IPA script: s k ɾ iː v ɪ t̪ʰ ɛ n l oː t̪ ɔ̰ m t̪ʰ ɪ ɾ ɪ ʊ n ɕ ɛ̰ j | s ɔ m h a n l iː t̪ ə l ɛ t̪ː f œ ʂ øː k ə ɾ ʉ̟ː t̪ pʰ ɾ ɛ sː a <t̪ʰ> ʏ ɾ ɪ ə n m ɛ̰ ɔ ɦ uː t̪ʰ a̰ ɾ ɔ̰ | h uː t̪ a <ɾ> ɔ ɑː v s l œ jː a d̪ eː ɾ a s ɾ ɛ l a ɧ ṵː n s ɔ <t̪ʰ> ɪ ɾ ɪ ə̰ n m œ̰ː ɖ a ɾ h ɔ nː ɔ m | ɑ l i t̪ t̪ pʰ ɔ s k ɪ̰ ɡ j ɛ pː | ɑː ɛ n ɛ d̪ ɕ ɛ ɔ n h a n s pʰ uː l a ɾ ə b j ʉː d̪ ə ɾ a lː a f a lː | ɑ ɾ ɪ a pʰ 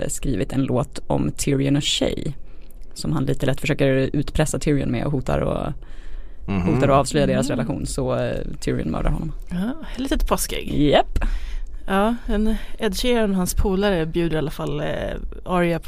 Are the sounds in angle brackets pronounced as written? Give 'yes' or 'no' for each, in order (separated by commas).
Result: yes, yes, yes